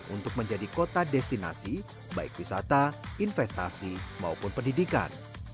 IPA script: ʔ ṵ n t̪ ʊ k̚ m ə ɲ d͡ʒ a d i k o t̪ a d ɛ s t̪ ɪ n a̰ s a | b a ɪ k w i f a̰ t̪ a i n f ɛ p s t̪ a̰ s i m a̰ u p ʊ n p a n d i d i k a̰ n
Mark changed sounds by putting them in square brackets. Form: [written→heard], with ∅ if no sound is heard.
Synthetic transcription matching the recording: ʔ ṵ n t̪ ʊ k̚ m ə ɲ d͡ʒ a d i k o t̪ a d ɛ s t̪ [ɪ→i] n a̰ s [a→i] | b a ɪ k w i [f→s] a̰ t̪ a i n f ɛ [p→∅] s t̪ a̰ s i m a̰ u p ʊ n p [a→ə] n d i d i k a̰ n

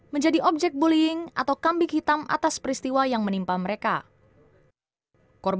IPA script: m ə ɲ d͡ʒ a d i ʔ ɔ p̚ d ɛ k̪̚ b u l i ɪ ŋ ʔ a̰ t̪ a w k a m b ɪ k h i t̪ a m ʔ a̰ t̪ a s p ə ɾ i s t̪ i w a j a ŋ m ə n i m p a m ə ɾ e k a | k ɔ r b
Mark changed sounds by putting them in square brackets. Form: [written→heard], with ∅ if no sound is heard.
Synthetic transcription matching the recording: m ə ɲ d͡ʒ a d i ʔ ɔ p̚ [d→d͡ʒ] ɛ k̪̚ b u l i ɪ ŋ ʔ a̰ t̪ a w k a m b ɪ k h i t̪ a m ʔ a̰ t̪ a s p ə ɾ i s t̪ i w a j a ŋ m ə n i m p a m ə ɾ e k a | k ɔ r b

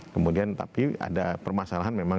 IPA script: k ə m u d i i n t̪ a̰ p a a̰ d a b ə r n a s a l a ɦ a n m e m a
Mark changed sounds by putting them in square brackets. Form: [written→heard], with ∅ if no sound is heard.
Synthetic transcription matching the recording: k ə m u d i [i→a] n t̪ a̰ p [a→i] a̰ d a [b→p] ə r [n→m] a s a l a ɦ a n m e m a

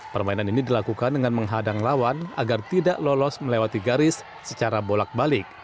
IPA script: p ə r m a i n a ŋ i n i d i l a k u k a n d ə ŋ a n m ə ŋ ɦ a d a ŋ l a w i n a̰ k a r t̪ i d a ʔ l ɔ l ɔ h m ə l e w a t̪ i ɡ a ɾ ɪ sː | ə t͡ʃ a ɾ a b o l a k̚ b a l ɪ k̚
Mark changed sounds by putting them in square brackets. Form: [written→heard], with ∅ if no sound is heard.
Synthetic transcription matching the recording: p ə r m a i n a [ŋ→n] i n i d i l a k u k a n d ə ŋ a n m ə ŋ ɦ a d a ŋ l a w [i→a] n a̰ [k→ɡ] a r t̪ i d a ʔ l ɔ l ɔ [h→s] m ə l e w a t̪ i ɡ a ɾ ɪ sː | ə t͡ʃ a ɾ a b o l a k̚ b a l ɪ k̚

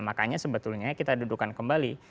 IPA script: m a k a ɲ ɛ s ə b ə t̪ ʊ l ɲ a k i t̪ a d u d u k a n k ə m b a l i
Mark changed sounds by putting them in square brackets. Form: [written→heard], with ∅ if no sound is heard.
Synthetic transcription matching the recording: m a k a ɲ [ɛ→a] s ə b ə t̪ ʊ l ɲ a k i t̪ a d u d u k a n k ə m b a l i

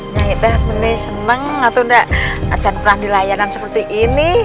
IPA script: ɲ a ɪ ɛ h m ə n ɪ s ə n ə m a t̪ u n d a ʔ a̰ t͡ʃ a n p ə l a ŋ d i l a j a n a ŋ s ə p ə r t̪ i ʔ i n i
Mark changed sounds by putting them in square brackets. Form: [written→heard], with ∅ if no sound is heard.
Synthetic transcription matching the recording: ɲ a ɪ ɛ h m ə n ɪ s ə n ə [m→ŋ] a t̪ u n d a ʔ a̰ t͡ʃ a n p ə [l→ɾ] a ŋ d i l a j a n a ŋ s ə p ə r t̪ i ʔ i n i

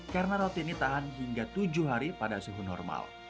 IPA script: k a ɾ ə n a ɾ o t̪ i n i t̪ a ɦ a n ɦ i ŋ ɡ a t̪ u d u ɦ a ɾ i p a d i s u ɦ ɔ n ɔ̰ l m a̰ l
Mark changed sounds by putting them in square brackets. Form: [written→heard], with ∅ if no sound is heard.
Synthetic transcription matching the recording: k a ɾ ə n a ɾ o t̪ i n i t̪ a ɦ a n ɦ i ŋ ɡ a t̪ u [d→d͡ʒ] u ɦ a ɾ i p a d [i→a] s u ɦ [ɔ→u] n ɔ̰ [l→r] m a̰ l

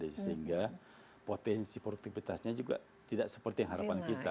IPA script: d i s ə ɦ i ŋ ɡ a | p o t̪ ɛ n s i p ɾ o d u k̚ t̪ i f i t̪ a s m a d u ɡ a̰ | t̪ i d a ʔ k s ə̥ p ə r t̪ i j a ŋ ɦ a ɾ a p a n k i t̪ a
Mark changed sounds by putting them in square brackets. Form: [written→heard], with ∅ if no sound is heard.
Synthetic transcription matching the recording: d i s ə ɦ i ŋ ɡ a | p o t̪ ɛ n s i p ɾ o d u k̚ t̪ i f i t̪ a s [m→ɲ] a [d→d͡ʒ] u ɡ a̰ | t̪ i d a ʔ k s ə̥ p ə r t̪ i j a ŋ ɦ a ɾ a p a n k i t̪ a

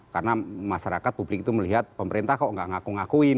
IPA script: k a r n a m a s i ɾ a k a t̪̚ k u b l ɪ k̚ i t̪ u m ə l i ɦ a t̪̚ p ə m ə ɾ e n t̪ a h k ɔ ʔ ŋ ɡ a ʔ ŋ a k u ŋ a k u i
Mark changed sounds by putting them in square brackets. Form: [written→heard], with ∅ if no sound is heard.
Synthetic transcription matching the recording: k a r n a m a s [i→a] ɾ a k a t̪̚ [k→p] u b l ɪ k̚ i t̪ u m ə l i ɦ a t̪̚ p ə m ə ɾ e n t̪ a h k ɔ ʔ ŋ ɡ a ʔ ŋ a k u ŋ a k u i

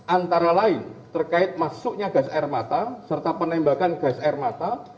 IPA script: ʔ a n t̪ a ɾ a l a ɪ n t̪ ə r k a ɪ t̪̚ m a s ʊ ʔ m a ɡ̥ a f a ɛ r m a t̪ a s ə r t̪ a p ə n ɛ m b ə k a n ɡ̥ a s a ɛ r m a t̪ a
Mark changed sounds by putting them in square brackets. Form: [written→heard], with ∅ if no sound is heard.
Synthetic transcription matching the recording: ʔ a n t̪ a ɾ a l a ɪ n t̪ ə r k a ɪ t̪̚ m a s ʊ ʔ [m→ɲ] a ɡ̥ a [f→s] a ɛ r m a t̪ a s ə r t̪ a p ə n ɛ m b [ə→a] k a n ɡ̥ a s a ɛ r m a t̪ a

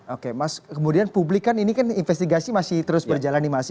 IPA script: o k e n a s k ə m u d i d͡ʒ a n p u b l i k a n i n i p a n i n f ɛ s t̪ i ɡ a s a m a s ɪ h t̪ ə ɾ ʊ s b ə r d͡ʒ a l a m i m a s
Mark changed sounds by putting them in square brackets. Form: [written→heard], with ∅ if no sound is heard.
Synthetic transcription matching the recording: o k e [n→m] a s k ə m u d i [d͡ʒ→∅] a n p u b l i k a n i n i [p→k] a n i n f ɛ s t̪ i ɡ a s [a→i] m a s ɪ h t̪ ə ɾ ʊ s b ə r d͡ʒ a l a [m→n] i m a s

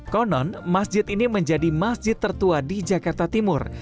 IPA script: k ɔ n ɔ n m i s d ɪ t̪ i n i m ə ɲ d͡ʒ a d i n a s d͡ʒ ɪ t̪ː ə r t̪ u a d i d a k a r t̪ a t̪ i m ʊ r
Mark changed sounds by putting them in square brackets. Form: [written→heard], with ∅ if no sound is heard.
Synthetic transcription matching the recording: k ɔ n ɔ n m [i→a] s [d→d͡ʒ] ɪ t̪ i n i m ə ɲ d͡ʒ a d i [n→m] a s d͡ʒ ɪ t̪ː ə r t̪ u a d i [d→d͡ʒ] a k a r t̪ a t̪ i m ʊ r

